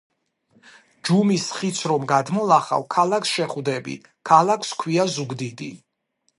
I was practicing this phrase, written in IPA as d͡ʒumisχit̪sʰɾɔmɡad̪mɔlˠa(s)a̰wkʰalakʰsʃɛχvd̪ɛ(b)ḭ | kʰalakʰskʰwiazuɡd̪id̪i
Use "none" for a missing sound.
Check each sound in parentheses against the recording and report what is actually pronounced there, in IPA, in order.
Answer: χ, b

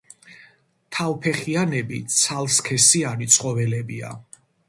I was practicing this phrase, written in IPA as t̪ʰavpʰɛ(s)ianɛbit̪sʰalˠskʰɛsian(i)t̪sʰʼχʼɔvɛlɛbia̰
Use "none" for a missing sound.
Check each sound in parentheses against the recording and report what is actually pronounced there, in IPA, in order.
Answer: χ, i

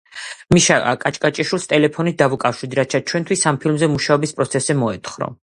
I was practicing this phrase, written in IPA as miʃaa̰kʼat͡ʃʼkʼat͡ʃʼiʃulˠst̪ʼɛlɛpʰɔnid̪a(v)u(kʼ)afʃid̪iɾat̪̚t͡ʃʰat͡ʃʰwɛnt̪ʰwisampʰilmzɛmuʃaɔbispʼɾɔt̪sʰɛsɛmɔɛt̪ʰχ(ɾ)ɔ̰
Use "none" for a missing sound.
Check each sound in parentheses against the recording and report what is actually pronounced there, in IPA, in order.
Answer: v, kʼ, ɾ

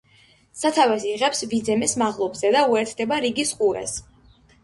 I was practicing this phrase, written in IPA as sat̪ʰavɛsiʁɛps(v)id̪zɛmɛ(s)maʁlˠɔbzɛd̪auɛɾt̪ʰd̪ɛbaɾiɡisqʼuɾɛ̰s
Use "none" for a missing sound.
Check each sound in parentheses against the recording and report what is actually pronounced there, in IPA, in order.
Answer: v, s

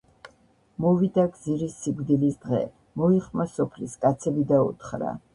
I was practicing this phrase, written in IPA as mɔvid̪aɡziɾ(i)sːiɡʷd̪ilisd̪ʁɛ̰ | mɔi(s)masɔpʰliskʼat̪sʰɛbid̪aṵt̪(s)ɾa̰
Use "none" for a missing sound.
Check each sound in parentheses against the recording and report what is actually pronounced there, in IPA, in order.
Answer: i, χ, χ

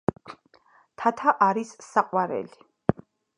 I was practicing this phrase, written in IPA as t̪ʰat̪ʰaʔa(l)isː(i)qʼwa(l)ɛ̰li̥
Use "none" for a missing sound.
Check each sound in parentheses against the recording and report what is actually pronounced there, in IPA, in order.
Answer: ɾ, a, ɾ

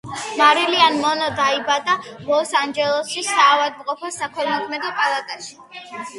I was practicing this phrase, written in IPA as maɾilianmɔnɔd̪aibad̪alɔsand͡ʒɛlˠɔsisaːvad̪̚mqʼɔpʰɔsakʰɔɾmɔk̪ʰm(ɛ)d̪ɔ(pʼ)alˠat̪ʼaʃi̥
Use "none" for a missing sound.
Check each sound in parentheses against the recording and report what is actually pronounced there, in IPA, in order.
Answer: ɛ, pʼ

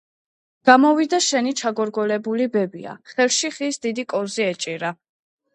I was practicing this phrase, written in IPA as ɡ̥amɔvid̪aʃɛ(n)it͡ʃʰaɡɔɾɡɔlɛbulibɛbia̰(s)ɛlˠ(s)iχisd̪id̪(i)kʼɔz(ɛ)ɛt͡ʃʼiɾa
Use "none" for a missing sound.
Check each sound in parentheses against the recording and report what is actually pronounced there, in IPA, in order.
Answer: n, χ, ʃ, i, i

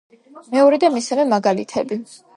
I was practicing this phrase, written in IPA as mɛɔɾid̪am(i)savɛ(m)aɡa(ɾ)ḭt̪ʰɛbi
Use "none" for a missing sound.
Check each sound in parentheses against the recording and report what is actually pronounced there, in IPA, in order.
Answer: i, m, l

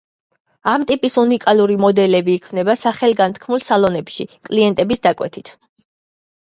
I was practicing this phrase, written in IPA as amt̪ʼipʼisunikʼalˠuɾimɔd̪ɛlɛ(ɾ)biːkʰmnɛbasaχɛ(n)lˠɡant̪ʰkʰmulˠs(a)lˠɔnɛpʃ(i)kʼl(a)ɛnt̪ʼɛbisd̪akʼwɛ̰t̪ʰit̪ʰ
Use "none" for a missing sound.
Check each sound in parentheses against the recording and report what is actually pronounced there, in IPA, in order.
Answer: none, none, a, i, i

